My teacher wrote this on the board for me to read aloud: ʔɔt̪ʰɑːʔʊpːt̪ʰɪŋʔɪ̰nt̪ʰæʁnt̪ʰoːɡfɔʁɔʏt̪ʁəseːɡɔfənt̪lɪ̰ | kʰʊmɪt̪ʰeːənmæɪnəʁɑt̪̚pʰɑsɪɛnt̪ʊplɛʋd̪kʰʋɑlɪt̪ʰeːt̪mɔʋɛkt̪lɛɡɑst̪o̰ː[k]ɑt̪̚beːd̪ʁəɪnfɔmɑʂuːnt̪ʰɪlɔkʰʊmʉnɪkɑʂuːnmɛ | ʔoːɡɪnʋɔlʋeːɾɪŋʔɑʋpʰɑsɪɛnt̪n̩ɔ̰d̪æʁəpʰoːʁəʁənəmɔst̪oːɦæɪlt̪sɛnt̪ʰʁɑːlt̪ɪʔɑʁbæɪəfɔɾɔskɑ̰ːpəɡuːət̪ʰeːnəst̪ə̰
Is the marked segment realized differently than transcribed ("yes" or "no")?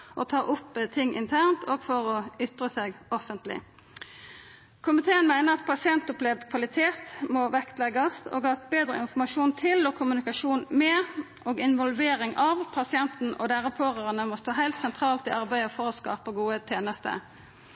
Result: yes